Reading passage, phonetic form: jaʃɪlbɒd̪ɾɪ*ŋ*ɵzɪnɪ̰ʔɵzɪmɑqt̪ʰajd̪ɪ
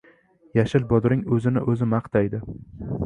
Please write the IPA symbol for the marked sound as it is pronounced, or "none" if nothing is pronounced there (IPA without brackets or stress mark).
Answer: ŋ